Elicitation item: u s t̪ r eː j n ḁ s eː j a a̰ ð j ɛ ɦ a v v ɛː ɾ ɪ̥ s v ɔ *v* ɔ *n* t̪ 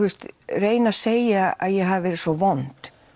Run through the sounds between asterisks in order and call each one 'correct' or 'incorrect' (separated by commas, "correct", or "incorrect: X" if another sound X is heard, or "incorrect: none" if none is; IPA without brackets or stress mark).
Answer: correct, correct